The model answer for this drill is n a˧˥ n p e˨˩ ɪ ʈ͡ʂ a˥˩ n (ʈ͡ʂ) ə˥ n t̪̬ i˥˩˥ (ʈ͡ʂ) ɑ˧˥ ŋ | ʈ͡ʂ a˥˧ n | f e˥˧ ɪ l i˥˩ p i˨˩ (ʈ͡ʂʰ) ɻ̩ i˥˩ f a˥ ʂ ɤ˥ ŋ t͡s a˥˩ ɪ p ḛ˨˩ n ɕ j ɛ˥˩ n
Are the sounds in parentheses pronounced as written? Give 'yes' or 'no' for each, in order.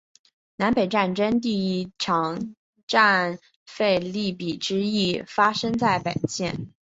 yes, no, no

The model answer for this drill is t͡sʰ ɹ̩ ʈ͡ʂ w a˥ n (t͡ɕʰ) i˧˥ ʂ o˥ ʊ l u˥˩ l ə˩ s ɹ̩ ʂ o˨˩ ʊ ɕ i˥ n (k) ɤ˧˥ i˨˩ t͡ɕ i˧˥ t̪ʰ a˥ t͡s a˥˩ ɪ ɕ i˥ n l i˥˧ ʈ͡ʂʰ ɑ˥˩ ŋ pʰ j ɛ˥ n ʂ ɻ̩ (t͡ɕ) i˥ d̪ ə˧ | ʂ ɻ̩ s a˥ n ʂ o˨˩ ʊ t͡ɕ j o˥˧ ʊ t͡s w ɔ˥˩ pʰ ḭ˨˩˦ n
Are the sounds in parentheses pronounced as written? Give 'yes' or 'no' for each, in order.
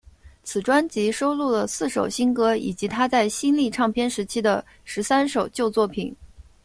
no, yes, no

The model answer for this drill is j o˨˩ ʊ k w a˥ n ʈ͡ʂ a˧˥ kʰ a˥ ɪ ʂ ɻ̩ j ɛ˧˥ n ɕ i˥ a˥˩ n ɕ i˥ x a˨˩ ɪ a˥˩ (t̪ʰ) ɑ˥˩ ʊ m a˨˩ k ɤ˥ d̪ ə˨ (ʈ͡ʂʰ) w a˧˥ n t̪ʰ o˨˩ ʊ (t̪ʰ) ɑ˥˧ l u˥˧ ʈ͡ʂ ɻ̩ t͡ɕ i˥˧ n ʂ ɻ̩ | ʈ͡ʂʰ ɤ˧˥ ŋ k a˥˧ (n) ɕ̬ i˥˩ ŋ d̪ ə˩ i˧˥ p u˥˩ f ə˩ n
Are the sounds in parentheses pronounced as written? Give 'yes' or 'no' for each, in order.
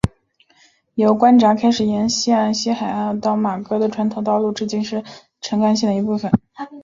no, yes, no, yes

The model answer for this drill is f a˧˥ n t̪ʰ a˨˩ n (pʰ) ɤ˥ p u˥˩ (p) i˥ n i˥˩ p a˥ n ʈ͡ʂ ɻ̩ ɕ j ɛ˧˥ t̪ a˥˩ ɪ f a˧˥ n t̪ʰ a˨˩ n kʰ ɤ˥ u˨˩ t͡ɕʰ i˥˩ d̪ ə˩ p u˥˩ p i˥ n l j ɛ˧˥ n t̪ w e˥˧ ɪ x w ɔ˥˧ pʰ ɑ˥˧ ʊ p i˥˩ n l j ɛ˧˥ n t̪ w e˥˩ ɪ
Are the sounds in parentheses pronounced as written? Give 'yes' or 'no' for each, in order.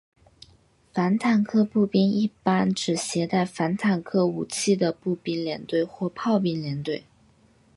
no, yes

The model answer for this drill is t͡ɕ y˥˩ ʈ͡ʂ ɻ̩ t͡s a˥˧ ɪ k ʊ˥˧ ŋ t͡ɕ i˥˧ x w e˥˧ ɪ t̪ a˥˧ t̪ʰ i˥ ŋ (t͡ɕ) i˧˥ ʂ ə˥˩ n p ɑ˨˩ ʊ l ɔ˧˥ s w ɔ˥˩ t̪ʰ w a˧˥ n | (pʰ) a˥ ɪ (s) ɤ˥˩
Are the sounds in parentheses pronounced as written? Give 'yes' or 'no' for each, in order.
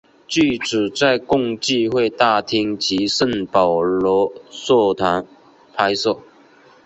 yes, yes, yes

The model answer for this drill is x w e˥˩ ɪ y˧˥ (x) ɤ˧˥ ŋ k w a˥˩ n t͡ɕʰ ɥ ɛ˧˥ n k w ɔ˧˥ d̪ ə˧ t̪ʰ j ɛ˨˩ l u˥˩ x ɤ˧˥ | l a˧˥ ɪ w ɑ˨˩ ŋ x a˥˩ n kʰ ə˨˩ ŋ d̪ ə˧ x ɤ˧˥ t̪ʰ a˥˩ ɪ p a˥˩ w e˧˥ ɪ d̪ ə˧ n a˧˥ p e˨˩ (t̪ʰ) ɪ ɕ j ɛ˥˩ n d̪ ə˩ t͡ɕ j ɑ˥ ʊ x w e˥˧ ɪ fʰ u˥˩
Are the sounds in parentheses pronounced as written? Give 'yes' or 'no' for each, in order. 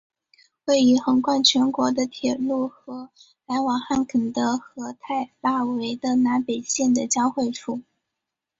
yes, no

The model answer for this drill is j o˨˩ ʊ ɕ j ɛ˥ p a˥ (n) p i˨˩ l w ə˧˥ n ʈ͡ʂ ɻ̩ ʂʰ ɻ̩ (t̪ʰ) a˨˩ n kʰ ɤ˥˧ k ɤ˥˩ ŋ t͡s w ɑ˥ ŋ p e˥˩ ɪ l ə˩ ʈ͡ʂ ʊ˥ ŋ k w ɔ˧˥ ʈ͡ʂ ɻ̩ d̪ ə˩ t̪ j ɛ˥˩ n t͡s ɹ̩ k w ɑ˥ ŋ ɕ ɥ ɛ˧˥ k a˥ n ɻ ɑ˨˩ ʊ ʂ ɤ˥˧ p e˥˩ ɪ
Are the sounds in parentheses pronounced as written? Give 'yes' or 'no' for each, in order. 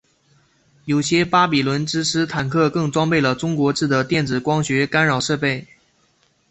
no, yes

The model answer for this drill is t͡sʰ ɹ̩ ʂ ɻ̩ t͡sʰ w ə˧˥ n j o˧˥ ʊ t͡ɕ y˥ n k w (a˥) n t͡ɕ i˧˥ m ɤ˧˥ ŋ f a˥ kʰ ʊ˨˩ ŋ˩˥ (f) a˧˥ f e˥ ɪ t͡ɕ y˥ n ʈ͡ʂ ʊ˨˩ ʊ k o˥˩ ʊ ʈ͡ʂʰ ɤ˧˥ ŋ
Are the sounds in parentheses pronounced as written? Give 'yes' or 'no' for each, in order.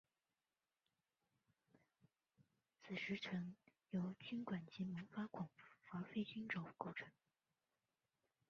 no, yes

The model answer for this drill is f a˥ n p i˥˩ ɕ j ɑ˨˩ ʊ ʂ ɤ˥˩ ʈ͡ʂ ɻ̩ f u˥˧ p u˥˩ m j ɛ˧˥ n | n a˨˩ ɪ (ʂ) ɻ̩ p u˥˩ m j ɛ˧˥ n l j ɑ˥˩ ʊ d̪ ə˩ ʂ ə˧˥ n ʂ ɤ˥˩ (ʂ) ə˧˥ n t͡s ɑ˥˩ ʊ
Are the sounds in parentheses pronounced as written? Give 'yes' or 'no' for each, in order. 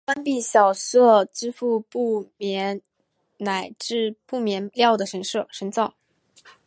no, yes

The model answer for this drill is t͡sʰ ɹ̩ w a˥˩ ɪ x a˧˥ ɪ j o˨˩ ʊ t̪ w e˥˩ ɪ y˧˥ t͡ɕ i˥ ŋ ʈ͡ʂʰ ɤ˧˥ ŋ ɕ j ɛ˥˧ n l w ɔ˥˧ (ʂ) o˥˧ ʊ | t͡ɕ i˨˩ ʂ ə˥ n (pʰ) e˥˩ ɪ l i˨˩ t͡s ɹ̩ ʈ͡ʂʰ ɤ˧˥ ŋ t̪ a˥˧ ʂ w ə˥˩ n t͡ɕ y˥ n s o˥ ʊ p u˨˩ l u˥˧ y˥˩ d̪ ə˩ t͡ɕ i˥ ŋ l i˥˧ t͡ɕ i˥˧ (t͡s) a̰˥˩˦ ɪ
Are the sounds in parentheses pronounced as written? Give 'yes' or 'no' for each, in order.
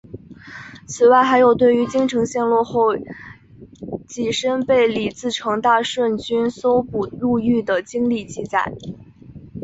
no, no, yes

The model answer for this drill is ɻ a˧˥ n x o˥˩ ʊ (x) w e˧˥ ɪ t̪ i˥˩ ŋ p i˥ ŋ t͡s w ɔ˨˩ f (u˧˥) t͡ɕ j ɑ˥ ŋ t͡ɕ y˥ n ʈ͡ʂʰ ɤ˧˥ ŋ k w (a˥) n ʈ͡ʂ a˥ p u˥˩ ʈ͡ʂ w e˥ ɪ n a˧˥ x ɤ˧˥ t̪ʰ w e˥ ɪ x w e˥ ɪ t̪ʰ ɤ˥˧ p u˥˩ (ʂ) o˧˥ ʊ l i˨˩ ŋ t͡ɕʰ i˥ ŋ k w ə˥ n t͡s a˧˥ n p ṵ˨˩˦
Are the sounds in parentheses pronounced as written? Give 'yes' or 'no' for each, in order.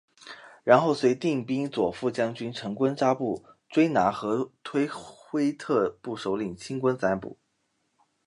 no, no, no, yes

